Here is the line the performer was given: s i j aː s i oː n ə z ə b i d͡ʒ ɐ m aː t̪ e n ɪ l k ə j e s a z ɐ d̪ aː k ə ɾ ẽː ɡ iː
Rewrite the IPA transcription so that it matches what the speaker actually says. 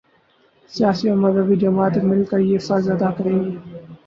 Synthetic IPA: s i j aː s i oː m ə z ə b i d͡ʒ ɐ m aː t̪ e m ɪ l k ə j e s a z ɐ d̪ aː k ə ɾ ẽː ɡ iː